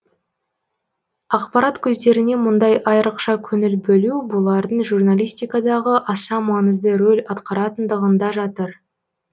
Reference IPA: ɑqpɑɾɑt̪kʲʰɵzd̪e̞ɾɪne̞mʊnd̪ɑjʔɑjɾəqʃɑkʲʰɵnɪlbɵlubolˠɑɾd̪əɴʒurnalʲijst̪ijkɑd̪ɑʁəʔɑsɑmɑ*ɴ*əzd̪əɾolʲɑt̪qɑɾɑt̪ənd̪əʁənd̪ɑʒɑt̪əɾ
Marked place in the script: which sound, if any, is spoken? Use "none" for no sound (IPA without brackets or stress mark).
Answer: n